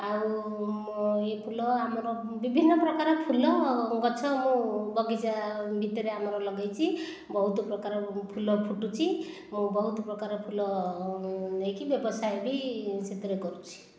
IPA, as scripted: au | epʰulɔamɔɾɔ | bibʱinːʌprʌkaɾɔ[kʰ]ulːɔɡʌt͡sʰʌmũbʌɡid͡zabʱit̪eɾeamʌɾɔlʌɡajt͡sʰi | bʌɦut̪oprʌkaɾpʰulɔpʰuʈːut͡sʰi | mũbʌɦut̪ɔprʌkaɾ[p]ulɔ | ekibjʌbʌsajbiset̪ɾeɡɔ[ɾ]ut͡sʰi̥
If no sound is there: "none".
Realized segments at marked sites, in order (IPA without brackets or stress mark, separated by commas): pʰ, pʰ, ɾ